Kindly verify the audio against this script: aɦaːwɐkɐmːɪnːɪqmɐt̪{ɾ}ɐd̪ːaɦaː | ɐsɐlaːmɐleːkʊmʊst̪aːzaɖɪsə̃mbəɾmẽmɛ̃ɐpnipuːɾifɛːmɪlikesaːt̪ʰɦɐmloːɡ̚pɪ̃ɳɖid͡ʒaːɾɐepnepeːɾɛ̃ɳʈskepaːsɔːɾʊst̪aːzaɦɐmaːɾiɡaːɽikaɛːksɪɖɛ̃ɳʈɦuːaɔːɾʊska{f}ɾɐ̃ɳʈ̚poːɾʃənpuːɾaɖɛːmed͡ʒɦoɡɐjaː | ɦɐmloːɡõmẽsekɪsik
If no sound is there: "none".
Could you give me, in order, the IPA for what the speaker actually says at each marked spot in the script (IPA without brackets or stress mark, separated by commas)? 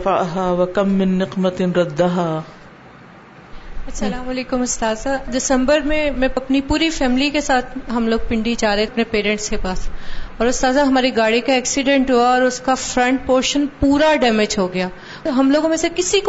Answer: ɾ, f